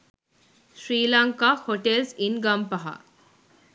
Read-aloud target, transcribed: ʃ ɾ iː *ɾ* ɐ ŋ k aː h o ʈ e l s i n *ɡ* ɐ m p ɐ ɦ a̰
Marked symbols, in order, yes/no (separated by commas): no, yes